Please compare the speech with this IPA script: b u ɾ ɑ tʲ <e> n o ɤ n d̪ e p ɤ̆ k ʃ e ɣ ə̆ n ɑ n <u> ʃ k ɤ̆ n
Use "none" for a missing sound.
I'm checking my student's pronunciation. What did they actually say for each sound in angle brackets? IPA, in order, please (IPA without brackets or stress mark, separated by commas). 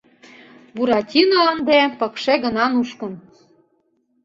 i, u